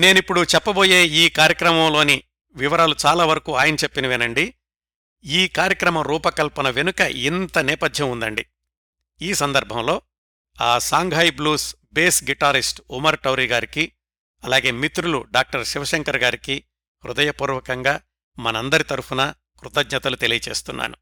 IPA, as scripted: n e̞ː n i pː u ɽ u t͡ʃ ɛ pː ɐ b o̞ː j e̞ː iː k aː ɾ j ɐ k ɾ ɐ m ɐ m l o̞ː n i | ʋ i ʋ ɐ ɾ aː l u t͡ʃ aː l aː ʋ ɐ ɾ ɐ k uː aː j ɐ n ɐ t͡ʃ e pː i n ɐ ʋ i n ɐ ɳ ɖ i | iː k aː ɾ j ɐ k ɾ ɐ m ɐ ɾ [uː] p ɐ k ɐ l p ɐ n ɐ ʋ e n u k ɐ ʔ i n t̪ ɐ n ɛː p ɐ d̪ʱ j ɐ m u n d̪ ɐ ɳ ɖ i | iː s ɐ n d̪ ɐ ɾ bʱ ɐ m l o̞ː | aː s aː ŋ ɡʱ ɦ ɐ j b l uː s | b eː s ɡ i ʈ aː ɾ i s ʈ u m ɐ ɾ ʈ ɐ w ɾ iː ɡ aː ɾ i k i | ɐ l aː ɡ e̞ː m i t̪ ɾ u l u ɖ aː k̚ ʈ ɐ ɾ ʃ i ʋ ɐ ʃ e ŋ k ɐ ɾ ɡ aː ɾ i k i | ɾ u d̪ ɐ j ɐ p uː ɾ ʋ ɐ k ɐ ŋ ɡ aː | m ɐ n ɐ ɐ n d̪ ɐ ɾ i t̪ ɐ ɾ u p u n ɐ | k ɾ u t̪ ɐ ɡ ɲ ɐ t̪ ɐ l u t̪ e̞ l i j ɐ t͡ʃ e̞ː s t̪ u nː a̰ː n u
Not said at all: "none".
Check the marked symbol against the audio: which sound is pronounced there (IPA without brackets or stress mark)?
uː